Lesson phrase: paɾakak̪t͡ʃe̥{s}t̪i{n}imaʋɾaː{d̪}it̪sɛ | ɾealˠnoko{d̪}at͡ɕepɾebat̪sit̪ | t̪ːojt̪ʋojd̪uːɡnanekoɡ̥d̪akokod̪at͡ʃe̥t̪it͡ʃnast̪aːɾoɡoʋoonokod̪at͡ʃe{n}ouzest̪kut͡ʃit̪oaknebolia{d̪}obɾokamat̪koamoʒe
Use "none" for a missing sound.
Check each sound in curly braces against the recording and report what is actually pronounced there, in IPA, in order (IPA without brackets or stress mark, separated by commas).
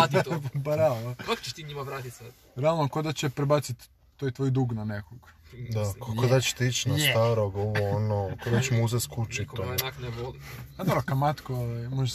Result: ʃ, ɲ, t̪, d̪, m, d̪